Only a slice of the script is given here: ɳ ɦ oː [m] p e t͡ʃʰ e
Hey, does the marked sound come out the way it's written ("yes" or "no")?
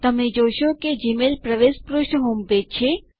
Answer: yes